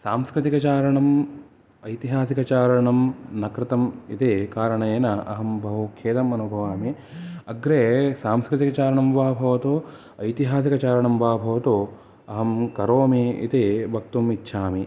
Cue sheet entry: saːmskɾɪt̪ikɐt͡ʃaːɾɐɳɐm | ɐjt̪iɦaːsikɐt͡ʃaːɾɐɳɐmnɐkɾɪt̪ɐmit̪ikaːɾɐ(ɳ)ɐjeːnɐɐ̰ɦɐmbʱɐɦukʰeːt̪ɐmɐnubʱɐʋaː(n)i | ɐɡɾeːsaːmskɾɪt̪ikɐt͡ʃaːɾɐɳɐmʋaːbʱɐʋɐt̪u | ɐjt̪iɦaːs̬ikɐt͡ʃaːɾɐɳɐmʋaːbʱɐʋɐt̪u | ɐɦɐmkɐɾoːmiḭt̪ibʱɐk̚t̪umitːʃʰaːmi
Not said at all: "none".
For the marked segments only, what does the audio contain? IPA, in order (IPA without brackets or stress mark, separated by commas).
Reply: ɳ, m